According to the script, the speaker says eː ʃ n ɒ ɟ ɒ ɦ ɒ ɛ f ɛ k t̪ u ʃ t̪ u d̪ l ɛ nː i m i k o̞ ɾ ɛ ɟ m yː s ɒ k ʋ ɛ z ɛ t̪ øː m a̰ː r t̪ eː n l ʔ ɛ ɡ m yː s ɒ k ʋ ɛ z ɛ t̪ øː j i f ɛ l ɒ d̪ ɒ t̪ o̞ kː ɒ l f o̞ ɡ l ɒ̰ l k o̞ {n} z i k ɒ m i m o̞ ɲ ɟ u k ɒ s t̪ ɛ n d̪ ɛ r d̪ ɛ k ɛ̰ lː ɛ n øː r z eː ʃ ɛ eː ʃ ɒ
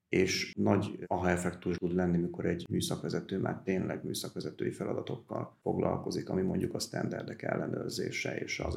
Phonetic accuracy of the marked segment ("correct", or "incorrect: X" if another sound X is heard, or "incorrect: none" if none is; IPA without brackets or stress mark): incorrect: none